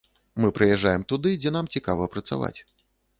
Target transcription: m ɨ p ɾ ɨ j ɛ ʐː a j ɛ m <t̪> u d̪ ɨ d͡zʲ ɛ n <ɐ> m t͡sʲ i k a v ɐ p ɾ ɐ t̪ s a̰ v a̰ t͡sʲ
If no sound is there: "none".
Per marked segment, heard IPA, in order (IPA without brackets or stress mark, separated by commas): t̪, a